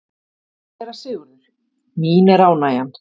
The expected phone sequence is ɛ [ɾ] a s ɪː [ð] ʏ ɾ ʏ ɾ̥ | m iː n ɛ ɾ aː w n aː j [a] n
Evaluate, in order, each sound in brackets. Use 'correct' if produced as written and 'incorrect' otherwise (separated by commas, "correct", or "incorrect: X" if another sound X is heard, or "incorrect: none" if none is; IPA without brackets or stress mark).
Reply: correct, incorrect: ɣ, correct